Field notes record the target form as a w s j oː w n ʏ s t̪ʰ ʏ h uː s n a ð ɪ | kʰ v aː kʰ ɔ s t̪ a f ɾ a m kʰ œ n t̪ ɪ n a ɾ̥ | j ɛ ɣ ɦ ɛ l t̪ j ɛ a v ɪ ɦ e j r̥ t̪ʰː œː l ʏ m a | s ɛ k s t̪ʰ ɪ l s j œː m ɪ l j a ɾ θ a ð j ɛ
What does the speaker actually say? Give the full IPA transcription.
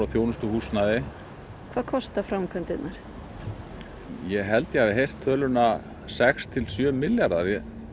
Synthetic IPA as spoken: a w θ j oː w n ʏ s t̪ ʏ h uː s n a ð ɪ | kʰ v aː kʰ ɔ s t̪ a f ɾ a m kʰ œ n t̪ ɪ n a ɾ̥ | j ɛ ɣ ɦ ɛ l t̪ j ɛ a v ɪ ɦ e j r̥ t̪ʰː œː l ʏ n a | s ɛ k s t̪ʰ ɪ l s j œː m ɪ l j a ɾ ð a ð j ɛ